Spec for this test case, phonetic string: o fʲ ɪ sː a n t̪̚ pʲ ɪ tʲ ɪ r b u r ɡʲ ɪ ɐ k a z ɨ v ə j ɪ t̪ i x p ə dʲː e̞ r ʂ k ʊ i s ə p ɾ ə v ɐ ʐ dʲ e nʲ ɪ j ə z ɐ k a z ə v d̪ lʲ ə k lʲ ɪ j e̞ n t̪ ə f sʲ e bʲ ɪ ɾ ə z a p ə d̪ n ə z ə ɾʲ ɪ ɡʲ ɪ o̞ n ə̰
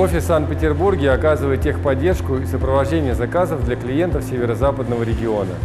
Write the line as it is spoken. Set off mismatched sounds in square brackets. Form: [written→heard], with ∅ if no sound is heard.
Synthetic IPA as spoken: o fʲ ɪ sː a n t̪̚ pʲ ɪ tʲ ɪ r b u r ɡʲ ɪ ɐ k a z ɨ v ə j ɪ t̪ i x p [ə→ɐ] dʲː e̞ r ʂ k ʊ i s ə p ɾ ə v ɐ ʐ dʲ e nʲ ɪ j ə z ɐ k a z ə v d̪ lʲ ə k lʲ ɪ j e̞ n t̪ ə f sʲ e [bʲ→vʲ] ɪ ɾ ə z a p ə d̪ n ə [z→v] ə ɾʲ ɪ ɡʲ ɪ o̞ n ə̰